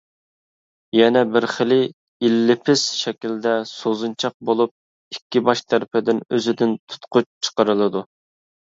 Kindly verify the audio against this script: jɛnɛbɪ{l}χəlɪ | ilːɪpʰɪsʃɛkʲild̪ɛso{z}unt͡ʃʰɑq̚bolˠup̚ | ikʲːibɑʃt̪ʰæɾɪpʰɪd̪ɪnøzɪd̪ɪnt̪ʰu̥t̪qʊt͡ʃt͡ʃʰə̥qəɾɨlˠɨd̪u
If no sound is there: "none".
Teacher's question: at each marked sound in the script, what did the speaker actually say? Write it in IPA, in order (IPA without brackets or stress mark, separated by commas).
ɾ, z